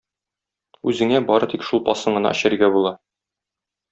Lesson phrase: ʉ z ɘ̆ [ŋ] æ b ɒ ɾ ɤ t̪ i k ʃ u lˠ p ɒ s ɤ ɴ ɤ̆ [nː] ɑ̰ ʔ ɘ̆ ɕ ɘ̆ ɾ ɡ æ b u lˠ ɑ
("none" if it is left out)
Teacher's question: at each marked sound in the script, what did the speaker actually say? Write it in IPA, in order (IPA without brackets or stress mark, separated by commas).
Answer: ŋ, n